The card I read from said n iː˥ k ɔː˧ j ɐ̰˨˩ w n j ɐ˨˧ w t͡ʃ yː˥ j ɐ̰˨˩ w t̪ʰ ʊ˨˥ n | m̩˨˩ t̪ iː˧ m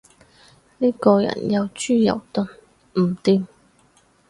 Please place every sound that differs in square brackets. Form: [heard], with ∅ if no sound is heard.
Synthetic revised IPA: n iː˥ k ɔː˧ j ɐ̰˨˩ [∅] n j ɐ˨˧ w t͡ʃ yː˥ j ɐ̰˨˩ w [t̪] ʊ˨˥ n | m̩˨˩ t̪ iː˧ m